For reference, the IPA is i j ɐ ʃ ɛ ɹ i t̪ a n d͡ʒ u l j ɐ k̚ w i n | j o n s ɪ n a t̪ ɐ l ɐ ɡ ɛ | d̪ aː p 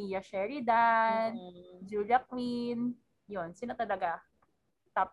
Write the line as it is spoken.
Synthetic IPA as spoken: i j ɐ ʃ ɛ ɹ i d̪ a n d͡ʒ u l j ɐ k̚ w i n | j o n s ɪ n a t̪ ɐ l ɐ ɡ a | t̪ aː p